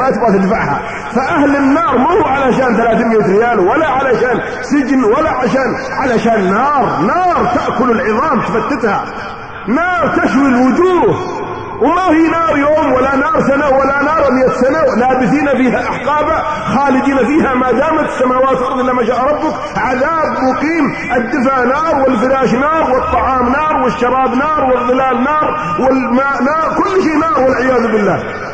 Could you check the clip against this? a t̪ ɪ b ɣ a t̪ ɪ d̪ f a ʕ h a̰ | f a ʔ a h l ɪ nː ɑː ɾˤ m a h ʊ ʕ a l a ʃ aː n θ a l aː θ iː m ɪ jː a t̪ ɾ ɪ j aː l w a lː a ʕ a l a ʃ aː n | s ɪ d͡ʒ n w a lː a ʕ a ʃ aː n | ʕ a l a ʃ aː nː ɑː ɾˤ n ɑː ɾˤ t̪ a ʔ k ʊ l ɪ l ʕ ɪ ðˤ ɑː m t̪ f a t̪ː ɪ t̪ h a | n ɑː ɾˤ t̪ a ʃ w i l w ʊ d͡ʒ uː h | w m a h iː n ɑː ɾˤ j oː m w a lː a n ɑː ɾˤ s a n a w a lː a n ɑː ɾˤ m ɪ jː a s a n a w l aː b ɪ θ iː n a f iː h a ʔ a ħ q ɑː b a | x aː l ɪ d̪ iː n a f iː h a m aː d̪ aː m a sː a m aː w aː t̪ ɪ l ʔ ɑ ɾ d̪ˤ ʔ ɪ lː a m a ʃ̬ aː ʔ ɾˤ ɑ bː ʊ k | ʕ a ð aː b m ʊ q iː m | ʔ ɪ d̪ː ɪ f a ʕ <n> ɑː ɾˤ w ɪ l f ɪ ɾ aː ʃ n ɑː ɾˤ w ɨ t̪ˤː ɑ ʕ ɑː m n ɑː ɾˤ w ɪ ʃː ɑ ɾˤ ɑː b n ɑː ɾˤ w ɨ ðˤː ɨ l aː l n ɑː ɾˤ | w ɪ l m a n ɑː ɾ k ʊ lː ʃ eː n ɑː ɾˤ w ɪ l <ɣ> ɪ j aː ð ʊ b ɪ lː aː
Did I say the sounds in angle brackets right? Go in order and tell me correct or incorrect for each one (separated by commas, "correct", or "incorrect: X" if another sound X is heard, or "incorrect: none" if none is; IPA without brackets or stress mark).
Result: correct, incorrect: ʕ